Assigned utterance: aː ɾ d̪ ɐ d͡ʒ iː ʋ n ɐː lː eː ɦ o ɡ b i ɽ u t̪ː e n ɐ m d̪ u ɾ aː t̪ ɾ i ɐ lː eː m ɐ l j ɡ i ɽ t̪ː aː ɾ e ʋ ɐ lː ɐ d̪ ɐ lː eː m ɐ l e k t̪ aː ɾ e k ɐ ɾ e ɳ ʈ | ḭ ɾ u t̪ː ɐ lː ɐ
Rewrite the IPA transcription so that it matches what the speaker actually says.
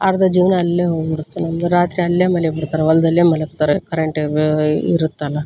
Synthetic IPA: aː ɾ d̪ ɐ d͡ʒ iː ʋ n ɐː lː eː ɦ o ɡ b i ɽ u t̪ː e n ɐ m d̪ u ɾ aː t̪ ɾ i ɐ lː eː m ɐ l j b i ɽ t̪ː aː ɾ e ʋ ɐ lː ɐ d̪ ɐ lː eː m ɐ l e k t̪ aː ɾ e k ɐ ɾ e ɳ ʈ | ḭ ɾ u t̪ː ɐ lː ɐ